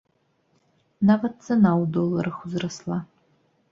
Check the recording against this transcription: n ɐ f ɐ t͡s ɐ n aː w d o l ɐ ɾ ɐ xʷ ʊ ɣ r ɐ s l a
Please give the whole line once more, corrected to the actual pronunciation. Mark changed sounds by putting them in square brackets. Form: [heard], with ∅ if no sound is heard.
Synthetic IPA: n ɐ [v] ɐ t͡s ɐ n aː w d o l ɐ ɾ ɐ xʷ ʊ [z] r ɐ s l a